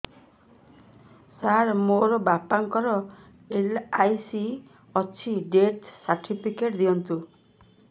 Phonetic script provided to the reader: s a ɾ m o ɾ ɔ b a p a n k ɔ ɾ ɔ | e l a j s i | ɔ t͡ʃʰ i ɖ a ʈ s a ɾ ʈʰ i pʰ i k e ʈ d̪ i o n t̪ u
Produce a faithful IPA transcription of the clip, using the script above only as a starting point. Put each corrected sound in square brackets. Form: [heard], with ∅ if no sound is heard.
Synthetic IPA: s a ɾ m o ɾ ɔ b a p a [ŋ] k ɔ ɾ ɔ | e l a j s i | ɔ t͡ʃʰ i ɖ [e] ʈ s a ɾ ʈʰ i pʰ i k e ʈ d̪ i [ɔ] n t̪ u